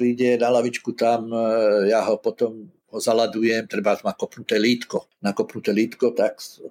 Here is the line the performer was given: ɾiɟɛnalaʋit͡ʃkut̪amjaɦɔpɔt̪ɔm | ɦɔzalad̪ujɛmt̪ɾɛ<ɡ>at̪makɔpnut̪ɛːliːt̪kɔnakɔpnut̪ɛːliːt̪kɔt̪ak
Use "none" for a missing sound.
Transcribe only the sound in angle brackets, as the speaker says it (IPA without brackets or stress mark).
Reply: b